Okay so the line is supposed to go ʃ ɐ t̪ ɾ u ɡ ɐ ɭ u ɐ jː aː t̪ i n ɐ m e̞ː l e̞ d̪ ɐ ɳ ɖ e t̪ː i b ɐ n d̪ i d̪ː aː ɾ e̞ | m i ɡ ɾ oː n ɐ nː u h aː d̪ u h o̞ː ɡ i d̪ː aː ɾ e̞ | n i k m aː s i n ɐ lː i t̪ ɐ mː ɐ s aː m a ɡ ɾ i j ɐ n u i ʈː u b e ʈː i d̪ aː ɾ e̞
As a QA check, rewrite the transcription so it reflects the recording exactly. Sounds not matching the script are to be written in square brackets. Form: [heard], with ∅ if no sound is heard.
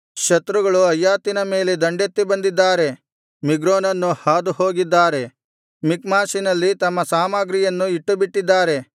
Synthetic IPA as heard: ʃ ɐ t̪ ɾ u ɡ ɐ ɭ u ɐ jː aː t̪ i n ɐ m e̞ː l e̞ d̪ ɐ ɳ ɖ e t̪ː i b ɐ n d̪ i d̪ː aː ɾ e̞ | m i ɡ ɾ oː n ɐ nː u h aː d̪ u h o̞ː ɡ i d̪ː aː ɾ e̞ | [m] i k m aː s i n ɐ lː i t̪ ɐ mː ɐ s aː m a ɡ ɾ i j ɐ [nː] u i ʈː u b [i] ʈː i [d̪ː] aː ɾ e̞

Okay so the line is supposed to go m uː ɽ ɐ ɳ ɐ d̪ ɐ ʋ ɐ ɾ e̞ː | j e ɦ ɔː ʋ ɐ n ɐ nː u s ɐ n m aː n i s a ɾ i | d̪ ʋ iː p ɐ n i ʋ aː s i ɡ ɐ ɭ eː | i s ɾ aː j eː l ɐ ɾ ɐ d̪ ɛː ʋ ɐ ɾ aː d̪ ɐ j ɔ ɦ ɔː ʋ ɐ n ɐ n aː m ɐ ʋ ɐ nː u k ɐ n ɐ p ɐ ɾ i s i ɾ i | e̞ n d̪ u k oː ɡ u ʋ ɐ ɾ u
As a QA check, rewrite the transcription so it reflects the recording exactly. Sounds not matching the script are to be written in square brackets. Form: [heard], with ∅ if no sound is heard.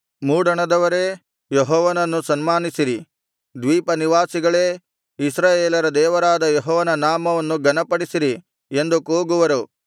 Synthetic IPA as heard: m uː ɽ ɐ ɳ ɐ d̪ ɐ ʋ ɐ ɾ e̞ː | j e ɦ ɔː ʋ ɐ n ɐ nː u s ɐ n m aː n i s [i] ɾ i | d̪ ʋ iː p ɐ n i ʋ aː s i ɡ ɐ ɭ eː | i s ɾ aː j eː l ɐ ɾ ɐ d̪ ɛː ʋ ɐ ɾ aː d̪ ɐ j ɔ ɦ ɔː ʋ ɐ n ɐ n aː m ɐ ʋ ɐ nː u [ɡ] ɐ n ɐ p ɐ [ɽ] i s i ɾ i | e̞ n d̪ u k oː ɡ u ʋ ɐ ɾ u

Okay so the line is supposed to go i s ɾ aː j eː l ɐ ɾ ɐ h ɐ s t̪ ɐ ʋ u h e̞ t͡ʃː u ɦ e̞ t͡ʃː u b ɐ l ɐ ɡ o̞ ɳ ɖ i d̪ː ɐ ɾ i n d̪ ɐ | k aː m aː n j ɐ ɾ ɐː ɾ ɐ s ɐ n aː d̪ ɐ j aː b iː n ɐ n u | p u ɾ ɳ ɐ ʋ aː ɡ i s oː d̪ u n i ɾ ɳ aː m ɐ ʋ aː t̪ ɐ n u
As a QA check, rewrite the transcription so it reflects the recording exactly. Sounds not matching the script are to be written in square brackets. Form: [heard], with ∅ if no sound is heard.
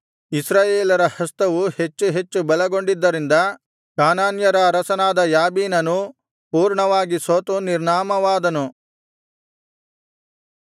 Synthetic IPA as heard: i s ɾ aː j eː l ɐ ɾ ɐ h ɐ s t̪ ɐ ʋ u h e̞ t͡ʃː u ɦ e̞ t͡ʃː u b ɐ l ɐ ɡ o̞ ɳ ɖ i d̪ː ɐ ɾ i n d̪ ɐ | k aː [n] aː n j ɐ ɾ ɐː ɾ ɐ s ɐ n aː d̪ ɐ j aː b iː n ɐ n u | p [uː] ɾ ɳ ɐ ʋ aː ɡ i s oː [t̪] u n i ɾ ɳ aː m ɐ ʋ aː [d̪] ɐ n u

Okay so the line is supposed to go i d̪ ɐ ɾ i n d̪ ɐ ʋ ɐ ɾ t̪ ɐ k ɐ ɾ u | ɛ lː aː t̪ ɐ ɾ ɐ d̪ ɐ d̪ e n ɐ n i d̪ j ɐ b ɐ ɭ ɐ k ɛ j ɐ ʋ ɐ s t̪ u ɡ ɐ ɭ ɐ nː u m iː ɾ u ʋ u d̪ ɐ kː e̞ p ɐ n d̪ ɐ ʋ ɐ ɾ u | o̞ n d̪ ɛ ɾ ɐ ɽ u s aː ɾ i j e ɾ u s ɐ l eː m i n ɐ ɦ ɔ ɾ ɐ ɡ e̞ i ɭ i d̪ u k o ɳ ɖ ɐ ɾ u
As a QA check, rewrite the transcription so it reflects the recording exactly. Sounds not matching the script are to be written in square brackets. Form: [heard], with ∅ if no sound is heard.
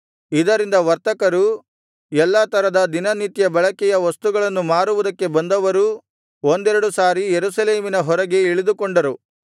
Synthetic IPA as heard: i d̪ ɐ ɾ i n d̪ ɐ ʋ ɐ ɾ t̪ ɐ k ɐ ɾ u | ɛ lː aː t̪ ɐ ɾ ɐ d̪ ɐ d̪ [i] n ɐ n i [t̪] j ɐ b ɐ ɭ ɐ k ɛ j ɐ ʋ ɐ s t̪ u ɡ ɐ ɭ ɐ nː u m [aː] ɾ u ʋ u d̪ ɐ kː e̞ [b] ɐ n d̪ ɐ ʋ ɐ ɾ u | o̞ n d̪ ɛ ɾ ɐ ɽ u s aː ɾ i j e ɾ u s ɐ l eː m i n ɐ ɦ ɔ ɾ ɐ ɡ e̞ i ɭ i d̪ u k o ɳ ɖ ɐ ɾ u

